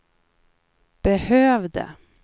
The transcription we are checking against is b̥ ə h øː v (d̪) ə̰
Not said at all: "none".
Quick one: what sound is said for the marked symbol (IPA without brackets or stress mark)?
d̪